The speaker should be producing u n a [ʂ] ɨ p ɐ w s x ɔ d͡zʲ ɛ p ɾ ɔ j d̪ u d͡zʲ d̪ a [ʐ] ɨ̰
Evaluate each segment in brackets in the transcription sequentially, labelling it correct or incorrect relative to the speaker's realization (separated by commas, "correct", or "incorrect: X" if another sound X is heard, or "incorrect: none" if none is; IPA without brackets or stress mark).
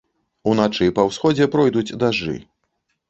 incorrect: t͡ʂ, correct